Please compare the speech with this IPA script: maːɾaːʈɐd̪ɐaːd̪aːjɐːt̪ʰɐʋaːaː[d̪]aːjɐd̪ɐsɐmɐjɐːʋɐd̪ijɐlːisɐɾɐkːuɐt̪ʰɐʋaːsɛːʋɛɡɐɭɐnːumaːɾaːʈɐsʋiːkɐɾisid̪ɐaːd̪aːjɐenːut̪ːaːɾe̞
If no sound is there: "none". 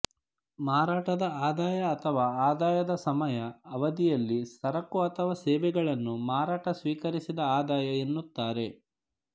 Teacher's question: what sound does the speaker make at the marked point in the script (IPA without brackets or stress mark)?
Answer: d̪